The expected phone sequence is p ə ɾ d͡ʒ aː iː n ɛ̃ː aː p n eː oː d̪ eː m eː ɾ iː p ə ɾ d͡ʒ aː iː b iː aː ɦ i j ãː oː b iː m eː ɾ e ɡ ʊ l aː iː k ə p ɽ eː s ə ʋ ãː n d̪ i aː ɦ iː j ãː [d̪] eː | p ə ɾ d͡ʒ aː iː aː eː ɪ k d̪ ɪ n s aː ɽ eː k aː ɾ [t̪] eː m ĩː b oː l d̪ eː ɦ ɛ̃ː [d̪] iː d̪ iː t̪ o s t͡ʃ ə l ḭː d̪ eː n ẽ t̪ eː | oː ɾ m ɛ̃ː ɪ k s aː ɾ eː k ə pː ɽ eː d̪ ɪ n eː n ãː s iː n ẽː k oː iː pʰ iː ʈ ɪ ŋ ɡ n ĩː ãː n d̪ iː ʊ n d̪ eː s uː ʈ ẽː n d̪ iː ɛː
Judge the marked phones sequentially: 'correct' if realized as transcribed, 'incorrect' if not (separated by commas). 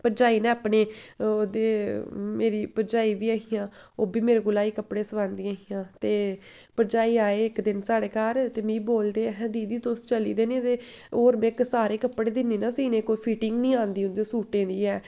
incorrect, correct, correct